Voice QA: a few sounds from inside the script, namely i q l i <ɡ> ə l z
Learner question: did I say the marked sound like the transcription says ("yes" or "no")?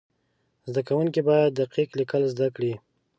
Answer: no